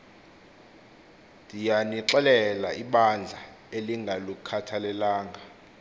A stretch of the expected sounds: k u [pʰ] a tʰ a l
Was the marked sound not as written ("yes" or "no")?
yes